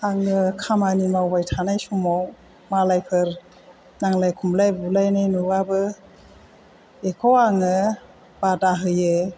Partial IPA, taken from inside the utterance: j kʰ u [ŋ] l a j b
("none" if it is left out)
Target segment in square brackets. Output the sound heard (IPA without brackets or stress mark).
m